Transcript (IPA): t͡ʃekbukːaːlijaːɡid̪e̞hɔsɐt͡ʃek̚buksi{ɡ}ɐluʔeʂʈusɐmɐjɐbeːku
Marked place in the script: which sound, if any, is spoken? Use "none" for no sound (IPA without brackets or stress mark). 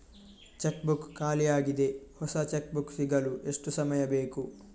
ɡ